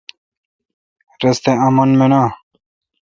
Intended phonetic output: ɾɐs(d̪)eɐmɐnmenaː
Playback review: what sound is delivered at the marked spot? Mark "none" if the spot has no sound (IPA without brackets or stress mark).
t̪